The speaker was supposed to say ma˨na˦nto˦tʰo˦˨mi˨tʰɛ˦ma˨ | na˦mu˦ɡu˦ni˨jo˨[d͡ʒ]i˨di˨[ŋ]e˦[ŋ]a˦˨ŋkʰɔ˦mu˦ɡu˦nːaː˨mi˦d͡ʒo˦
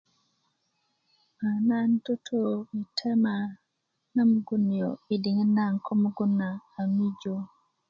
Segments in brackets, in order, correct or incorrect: incorrect: none, correct, incorrect: n

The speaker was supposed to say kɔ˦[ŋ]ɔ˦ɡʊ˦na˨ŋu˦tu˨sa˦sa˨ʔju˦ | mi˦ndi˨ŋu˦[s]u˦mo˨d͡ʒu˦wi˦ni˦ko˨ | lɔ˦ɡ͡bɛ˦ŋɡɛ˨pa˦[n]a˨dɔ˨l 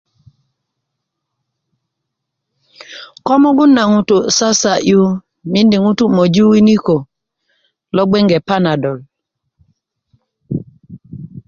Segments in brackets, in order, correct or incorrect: incorrect: m, incorrect: t, correct

